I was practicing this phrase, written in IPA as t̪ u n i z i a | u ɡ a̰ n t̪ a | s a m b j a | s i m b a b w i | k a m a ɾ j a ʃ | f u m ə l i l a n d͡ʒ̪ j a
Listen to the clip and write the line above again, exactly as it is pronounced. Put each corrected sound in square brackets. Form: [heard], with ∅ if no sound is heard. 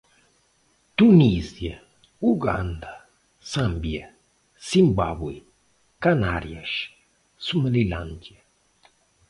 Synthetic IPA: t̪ u n i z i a | u ɡ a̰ n [d̪] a | s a m b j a | s i m b a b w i | k a [n] a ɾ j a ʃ | [s] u m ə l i l a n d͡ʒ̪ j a